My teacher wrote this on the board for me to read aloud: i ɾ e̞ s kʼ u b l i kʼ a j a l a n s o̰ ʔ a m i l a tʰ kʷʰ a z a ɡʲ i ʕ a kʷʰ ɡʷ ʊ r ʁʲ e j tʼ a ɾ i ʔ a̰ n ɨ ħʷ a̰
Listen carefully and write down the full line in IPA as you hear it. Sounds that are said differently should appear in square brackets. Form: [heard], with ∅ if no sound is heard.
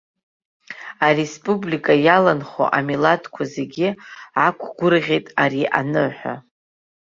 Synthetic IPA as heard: [a] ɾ e̞ s [pʼ] u b l i kʼ a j a l a n [χ] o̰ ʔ a m i l a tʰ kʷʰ a z [e] ɡʲ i ʕ a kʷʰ ɡʷ ʊ r ʁʲ e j tʼ a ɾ i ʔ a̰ n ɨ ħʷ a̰

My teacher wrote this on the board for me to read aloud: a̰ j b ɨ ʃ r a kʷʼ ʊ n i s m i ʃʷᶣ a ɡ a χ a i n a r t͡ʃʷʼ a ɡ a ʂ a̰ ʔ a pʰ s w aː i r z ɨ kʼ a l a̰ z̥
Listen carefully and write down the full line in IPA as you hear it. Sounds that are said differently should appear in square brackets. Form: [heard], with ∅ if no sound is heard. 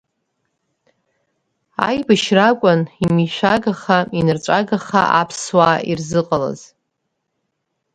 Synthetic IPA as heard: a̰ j b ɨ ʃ r a kʷʼ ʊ n i [∅] m i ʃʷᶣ a ɡ a χ a i n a r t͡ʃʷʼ a ɡ a [χ] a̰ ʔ a pʰ s w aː i r z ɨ [qʼ] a l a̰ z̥

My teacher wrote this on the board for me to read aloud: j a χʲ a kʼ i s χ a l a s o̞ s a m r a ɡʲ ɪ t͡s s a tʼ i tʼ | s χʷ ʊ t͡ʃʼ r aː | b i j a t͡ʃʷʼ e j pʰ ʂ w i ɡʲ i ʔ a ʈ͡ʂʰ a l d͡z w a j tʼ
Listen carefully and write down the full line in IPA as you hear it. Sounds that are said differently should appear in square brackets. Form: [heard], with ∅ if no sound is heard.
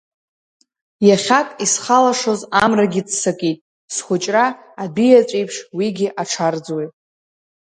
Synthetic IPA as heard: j a χʲ a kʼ i s χ a l a [ʂ] o̞ [z] a m r a ɡʲ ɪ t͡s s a [kʼ] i tʼ | s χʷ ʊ t͡ʃʼ r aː | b i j a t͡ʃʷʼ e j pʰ ʂ w i ɡʲ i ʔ a ʈ͡ʂʰ a [r] d͡z w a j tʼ

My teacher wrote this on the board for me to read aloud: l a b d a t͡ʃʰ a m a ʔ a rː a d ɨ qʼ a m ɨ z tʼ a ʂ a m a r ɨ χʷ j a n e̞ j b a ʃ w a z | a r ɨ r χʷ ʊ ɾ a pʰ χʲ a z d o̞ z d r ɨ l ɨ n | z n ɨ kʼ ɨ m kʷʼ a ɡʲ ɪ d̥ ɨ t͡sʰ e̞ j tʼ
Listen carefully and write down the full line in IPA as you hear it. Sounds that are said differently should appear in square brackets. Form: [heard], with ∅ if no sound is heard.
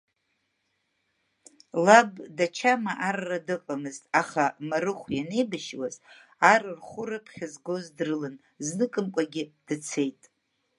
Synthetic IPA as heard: l a b d a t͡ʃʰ a m a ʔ a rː a d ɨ qʼ a m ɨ z tʼ a [χ] a m a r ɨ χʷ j a n e̞ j b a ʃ w a z | a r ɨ r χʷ ʊ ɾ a pʰ χʲ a z [ɡ] o̞ z d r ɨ l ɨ n | z n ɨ kʼ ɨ m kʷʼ a ɡʲ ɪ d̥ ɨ t͡sʰ e̞ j tʼ

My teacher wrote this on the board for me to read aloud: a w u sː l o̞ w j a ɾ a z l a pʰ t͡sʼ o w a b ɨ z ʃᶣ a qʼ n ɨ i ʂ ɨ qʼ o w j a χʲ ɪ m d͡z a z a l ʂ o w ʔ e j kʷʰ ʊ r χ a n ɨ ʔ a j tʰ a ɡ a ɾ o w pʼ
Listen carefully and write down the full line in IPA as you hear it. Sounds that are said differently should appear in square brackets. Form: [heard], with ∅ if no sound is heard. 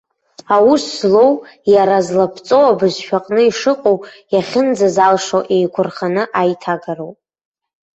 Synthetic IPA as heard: a w u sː l o̞ w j a ɾ a z l a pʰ t͡sʼ o w a b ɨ z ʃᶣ a qʼ n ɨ i ʂ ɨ qʼ o w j a χʲ ɪ [n] d͡z a z a l ʂ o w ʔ e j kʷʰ ʊ r χ a n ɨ ʔ a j tʰ a ɡ a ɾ o w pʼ

